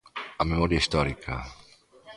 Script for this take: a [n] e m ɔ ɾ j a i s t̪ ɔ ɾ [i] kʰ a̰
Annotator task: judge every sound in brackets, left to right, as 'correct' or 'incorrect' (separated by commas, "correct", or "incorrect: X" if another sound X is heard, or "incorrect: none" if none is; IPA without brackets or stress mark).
incorrect: m, correct